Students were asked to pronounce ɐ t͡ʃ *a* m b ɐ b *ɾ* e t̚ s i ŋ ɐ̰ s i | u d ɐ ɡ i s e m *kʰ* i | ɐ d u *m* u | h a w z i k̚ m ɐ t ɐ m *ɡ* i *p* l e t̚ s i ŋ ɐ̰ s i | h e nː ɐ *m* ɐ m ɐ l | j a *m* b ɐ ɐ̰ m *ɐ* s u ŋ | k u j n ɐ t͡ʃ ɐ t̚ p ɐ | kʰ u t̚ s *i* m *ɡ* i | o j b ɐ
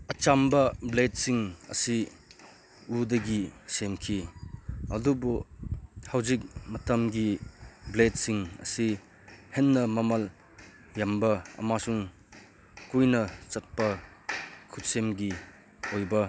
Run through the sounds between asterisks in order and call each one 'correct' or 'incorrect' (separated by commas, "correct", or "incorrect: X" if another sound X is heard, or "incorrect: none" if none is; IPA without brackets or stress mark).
correct, incorrect: l, correct, incorrect: b, correct, incorrect: b, correct, correct, incorrect: a, incorrect: e, correct